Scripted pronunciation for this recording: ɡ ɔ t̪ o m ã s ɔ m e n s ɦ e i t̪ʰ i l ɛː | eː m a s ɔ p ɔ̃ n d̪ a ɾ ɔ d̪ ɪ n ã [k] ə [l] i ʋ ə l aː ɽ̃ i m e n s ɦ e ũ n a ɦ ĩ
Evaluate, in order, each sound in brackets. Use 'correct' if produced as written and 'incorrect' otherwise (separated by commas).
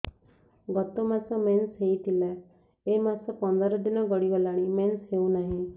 incorrect, incorrect